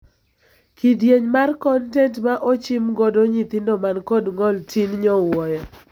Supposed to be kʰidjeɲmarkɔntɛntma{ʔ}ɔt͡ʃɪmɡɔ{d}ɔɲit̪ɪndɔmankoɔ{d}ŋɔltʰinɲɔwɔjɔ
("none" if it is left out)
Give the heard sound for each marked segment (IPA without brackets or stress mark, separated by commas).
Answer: ʔ, d, d